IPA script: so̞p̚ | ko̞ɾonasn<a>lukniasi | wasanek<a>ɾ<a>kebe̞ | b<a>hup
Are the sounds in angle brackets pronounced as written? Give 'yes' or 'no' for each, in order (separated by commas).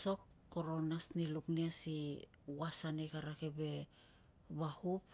no, yes, yes, yes